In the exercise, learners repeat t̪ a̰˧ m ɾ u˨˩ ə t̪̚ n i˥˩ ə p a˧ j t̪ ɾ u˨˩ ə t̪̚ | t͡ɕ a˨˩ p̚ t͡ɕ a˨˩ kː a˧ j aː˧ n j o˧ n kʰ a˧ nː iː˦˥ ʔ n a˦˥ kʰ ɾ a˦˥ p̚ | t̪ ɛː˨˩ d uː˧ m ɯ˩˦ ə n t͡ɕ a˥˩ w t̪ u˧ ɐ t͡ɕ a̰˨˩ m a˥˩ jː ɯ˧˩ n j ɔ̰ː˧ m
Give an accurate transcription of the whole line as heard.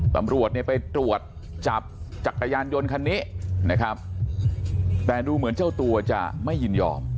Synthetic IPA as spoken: t̪ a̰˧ m ɾ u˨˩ ə t̪̚ n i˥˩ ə p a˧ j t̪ ɾ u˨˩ ə t̪̚ | t͡ɕ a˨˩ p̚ t͡ɕ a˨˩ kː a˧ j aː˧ n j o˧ n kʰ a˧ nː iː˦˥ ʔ n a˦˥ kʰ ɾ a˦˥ p̚ | t̪ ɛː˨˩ d uː˧ m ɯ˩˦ ə n t͡ɕ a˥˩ w t̪ u˧ ɐ t͡ɕ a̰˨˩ m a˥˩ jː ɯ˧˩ n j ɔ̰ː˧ m